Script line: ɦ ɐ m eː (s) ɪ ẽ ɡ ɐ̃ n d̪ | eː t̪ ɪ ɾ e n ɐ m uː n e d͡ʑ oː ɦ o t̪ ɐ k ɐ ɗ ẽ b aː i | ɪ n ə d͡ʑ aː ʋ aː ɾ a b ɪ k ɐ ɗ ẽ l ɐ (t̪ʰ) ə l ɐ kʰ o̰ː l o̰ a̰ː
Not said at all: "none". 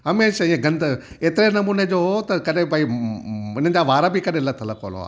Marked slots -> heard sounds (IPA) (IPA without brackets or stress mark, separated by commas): ʃ, t̪ʰ